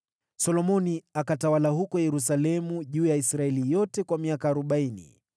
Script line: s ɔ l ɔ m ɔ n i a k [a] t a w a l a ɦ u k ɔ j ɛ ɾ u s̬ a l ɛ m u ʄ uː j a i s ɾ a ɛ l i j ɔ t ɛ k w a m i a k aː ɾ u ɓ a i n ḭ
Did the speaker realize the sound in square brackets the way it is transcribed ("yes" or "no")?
yes